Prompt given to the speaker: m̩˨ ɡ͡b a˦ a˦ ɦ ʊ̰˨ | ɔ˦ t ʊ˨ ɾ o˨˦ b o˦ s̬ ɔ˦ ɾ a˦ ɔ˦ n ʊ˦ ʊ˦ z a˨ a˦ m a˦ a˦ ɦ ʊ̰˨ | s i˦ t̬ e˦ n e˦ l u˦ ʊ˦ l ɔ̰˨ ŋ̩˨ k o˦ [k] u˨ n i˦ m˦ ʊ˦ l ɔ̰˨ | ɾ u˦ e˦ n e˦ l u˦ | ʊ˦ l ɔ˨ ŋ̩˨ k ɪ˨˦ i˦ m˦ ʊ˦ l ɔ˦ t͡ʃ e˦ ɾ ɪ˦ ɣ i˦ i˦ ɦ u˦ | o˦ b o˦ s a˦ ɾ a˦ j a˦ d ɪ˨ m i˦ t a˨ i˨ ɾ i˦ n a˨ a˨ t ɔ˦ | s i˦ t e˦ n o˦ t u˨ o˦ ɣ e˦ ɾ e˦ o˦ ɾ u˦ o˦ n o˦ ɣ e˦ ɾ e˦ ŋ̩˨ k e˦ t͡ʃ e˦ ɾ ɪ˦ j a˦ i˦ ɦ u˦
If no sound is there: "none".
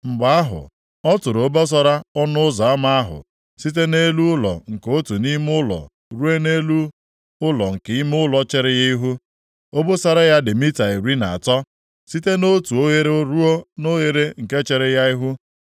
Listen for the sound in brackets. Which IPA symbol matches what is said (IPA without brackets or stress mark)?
t